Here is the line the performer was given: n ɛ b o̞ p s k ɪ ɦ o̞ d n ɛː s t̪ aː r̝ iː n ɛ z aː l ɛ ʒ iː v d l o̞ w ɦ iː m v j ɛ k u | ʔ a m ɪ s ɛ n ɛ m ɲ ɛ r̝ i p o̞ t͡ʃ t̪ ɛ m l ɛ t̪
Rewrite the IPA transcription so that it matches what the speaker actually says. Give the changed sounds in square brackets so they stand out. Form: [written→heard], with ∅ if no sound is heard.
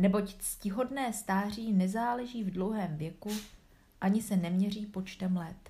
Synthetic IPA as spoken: n ɛ b o̞ [p→c] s [k→c] ɪ ɦ o̞ d n ɛː s t̪ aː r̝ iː n ɛ z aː l ɛ ʒ iː v d l o̞ w ɦ [iː→ɛː] m v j ɛ k u | ʔ a [m→ɲ] ɪ s ɛ n ɛ m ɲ ɛ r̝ [i→iː] p o̞ t͡ʃ t̪ ɛ m l ɛ t̪